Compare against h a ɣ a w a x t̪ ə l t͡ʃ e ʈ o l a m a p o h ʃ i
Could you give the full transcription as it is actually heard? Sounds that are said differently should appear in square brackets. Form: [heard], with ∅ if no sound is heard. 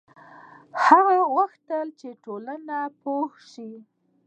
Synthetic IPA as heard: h a ɣ a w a x t̪ ə l t͡ʃ e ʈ o l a [n] a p o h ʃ i

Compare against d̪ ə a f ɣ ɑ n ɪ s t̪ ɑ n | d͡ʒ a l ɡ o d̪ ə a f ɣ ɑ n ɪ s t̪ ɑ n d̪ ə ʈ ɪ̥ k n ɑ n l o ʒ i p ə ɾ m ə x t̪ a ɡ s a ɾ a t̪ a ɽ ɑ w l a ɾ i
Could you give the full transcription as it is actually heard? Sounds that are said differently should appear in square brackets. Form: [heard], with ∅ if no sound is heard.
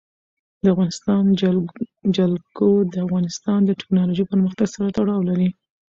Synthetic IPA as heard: d̪ ə a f ɣ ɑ n ɪ s t̪ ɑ n | d͡ʒ a l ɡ o d̪ ə a f ɣ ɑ n ɪ s t̪ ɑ n d̪ ə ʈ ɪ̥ k n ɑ [∅] l o ʒ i p ə ɾ m ə x t̪ a ɡ s a ɾ a t̪ a ɽ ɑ w l a ɾ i

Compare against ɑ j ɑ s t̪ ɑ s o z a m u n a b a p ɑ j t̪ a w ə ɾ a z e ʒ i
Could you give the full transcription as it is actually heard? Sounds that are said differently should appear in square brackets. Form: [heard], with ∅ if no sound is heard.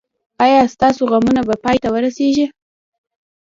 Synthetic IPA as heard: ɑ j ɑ s t̪ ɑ s o [ɣ] a m u n a b a p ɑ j t̪ a w ə ɾ a [s] e ʒ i

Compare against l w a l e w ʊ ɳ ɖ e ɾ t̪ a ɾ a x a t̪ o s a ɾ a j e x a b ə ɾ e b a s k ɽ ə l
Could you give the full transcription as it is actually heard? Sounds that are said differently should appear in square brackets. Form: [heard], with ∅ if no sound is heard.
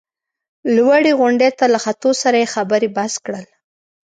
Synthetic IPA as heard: l w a [ɽ] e [ɣ] ʊ ɳ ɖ e [∅] t̪ a [l] a x a t̪ o s a ɾ a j e x a b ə ɾ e b a s k ɽ ə l

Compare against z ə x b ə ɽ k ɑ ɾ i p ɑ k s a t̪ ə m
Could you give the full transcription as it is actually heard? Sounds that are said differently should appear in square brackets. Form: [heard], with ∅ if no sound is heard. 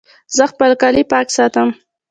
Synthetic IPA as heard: z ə x [p] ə [l] k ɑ [l] i p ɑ k s [ɑ] t̪ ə m

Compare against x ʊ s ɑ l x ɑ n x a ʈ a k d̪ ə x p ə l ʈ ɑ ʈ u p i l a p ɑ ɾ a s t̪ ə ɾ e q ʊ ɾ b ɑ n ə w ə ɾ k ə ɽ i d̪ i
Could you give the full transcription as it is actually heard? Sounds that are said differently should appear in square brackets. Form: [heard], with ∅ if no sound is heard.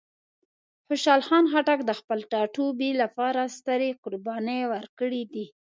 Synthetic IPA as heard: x ʊ [ʃ] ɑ l x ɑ n x a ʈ a k d̪ ə x p ə l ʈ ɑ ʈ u [b] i l a p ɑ ɾ a s t̪ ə ɾ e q ʊ ɾ b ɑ n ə w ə ɾ k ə ɽ i d̪ i

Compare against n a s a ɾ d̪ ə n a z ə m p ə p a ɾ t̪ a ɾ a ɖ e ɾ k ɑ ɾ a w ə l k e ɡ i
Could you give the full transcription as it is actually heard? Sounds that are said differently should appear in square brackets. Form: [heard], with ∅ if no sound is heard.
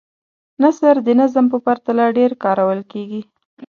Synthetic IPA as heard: n a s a ɾ d̪ ə n a z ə m p ə p a ɾ t̪ a [l] a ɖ e ɾ k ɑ ɾ a w ə l k e ɡ i

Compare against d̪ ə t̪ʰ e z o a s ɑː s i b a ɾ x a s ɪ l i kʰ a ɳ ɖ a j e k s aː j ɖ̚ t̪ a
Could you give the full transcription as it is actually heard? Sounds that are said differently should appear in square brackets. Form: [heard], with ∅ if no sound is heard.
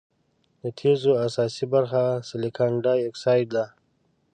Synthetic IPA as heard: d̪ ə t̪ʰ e z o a s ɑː s i b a ɾ x a s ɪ l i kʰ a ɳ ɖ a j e k s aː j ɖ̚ [d̪] a

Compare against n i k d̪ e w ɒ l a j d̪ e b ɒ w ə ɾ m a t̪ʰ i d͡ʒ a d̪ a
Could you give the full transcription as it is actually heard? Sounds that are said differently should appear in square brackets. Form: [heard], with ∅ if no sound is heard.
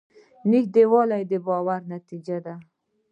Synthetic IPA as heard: n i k d̪ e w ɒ l a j d̪ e b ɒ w [a] ɾ [n] a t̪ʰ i d͡ʒ a d̪ a

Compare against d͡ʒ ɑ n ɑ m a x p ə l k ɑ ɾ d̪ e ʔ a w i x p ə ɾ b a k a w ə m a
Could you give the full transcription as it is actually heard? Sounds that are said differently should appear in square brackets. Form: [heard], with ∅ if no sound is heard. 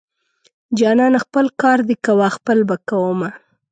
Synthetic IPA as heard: d͡ʒ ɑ n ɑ [n] a x p ə l k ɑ ɾ d̪ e [k] a w [a] x p ə [l] b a k a w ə m a

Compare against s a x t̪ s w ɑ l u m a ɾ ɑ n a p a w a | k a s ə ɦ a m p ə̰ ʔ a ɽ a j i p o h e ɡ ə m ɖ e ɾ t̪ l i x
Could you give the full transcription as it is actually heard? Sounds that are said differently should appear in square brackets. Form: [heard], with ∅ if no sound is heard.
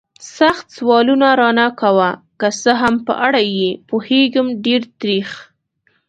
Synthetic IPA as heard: s a x t̪ s w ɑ l u [n] a ɾ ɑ n a [k] a w a | k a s ə ɦ a m p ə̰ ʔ a ɽ a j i p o h e ɡ ə m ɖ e ɾ t̪ [ɾ] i x

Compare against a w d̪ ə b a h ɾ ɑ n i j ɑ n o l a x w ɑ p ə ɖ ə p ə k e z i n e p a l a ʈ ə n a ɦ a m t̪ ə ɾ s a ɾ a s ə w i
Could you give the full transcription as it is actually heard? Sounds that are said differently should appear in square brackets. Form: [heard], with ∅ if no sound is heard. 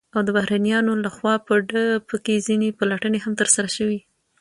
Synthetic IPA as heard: a w d̪ ə b a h ɾ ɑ n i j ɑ n o l a x w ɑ p ə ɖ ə p ə k e z i n e p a l a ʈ ə n [e] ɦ a m t̪ ə ɾ s a ɾ a [ʃ] ə w i

